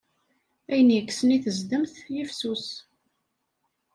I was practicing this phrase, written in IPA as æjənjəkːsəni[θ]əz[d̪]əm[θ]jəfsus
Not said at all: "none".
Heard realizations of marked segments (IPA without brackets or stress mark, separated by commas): θ, d̪, θ